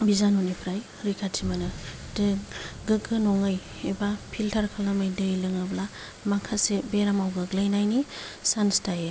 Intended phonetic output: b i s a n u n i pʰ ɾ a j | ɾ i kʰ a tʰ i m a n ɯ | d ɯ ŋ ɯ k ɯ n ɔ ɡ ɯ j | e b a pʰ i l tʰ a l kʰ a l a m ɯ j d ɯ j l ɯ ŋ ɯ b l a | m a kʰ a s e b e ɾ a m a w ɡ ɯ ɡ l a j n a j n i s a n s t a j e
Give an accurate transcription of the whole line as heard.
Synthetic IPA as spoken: b i z a n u n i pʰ ɾ a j | ɾ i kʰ a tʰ i m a n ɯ | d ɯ ɡ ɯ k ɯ n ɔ ŋ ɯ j | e b a pʰ i l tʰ a ɾ kʰ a l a m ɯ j d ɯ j l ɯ ŋ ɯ b l a | m a kʰ a s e b e ɾ a m a w ɡ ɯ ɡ l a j n a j n i s a n s t a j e